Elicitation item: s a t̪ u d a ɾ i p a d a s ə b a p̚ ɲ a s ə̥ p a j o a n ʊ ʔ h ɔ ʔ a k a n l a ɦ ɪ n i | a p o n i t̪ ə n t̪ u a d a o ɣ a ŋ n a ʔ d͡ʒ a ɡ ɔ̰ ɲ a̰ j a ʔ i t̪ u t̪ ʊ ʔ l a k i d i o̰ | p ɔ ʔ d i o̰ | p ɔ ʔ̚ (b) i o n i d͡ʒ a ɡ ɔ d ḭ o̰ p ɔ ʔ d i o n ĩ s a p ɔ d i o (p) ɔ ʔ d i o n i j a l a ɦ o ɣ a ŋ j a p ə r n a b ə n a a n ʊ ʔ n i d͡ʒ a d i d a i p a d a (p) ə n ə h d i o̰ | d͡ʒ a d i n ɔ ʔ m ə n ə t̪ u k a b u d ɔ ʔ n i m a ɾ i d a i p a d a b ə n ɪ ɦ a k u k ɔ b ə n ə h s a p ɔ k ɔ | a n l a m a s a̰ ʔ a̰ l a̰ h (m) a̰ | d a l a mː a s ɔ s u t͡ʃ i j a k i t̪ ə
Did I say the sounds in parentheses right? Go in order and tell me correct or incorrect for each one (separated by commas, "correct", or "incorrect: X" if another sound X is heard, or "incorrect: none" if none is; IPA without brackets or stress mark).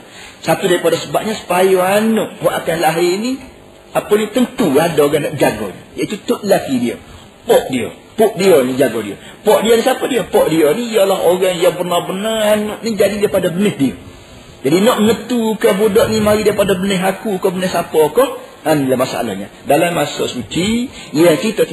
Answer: incorrect: d, correct, incorrect: b, incorrect: ɲ